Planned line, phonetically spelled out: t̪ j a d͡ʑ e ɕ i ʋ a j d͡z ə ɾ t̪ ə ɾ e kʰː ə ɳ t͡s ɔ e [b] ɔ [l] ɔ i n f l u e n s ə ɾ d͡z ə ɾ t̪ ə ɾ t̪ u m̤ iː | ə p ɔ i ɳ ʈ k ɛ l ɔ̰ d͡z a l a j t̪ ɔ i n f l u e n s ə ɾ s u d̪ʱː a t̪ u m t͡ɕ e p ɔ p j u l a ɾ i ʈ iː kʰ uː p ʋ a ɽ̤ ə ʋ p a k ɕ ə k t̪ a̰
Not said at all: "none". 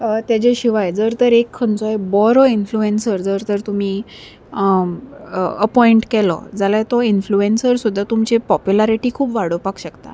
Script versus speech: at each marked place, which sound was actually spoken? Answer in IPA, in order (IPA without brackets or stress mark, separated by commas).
b, ɾ